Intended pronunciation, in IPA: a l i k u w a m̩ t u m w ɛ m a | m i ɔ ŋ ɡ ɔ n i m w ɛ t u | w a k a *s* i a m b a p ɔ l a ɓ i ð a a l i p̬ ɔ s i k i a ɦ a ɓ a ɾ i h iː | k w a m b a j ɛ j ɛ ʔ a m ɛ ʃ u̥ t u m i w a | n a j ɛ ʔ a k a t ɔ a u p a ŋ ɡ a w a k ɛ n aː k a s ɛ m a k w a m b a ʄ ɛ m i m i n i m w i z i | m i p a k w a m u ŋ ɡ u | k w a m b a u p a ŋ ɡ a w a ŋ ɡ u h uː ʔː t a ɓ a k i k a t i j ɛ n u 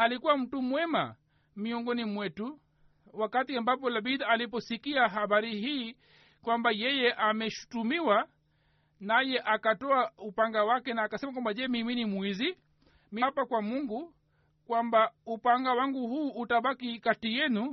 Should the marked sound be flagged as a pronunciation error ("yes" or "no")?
yes